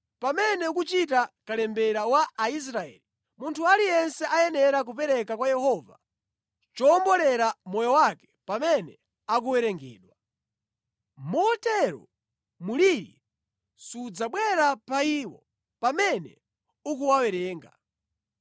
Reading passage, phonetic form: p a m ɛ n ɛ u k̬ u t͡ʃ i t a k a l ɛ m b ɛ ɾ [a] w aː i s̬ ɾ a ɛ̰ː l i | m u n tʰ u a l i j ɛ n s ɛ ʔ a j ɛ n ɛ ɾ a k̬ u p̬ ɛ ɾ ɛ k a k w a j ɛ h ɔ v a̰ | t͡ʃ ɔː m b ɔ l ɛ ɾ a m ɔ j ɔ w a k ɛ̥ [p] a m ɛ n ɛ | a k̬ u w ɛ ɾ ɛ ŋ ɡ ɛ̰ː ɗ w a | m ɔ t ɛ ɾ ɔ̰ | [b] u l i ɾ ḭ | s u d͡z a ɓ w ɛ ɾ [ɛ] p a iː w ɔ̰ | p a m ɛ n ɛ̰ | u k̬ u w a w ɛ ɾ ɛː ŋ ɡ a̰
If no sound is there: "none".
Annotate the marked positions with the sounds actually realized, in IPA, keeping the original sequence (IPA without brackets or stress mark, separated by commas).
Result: a, p, m, a